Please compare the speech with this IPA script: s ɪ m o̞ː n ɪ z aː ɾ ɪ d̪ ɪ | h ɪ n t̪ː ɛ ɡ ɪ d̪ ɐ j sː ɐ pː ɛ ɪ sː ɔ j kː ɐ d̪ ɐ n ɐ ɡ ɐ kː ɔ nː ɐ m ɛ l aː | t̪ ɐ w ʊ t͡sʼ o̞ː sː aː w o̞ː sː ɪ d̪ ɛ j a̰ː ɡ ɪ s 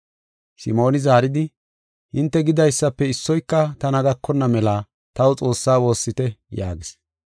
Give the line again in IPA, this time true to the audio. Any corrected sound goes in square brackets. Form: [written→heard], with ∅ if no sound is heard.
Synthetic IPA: s ɪ m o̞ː n ɪ z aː ɾ ɪ d̪ ɪ | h ɪ n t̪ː ɛ ɡ ɪ d̪ ɐ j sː ɐ pː ɛ ɪ sː ɔ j kː ɐ [d̪→t̪] ɐ n ɐ ɡ ɐ kː ɔ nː ɐ m ɛ l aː | t̪ ɐ w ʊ t͡sʼ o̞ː sː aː w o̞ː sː ɪ [d̪→t̪] ɛ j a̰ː ɡ ɪ s

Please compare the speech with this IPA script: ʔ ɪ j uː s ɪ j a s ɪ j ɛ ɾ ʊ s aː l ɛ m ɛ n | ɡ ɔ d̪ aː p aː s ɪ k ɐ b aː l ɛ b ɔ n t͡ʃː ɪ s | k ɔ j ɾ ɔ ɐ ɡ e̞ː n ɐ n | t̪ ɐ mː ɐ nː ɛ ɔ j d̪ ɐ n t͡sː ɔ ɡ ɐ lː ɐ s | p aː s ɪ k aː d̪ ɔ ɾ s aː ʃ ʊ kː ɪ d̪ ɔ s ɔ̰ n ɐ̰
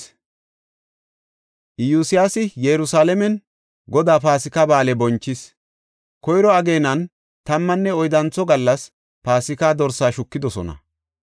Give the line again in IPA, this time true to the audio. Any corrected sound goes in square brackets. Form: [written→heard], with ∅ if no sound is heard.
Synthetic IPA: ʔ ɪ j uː s ɪ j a s ɪ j ɛ ɾ ʊ s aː l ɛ m ɛ n | ɡ ɔ d̪ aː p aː s ɪ k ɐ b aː l ɛ b ɔ n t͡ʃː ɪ s | k ɔ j ɾ ɔ ɐ ɡ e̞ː n ɐ n | t̪ ɐ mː ɐ nː ɛ ɔ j d̪ ɐ n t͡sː ɔ ɡ ɐ lː ɐ s | p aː s ɪ k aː d̪ ɔ ɾ s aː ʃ ʊ kː ɪ d̪ ɔ s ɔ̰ n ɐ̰

